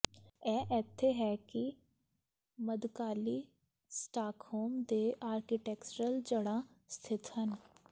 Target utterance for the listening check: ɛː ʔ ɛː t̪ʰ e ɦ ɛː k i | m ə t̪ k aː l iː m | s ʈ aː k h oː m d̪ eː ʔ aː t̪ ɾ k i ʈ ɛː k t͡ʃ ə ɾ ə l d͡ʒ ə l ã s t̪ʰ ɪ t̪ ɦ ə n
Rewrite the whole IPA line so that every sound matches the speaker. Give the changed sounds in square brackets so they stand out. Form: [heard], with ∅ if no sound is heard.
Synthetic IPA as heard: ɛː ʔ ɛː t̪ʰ e ɦ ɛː k i | m ə [d̪] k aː l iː [∅] | s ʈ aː k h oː m d̪ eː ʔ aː [∅] ɾ k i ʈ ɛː k t͡ʃ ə ɾ ə l d͡ʒ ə [ɽ] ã s t̪ʰ ɪ t̪ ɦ ə n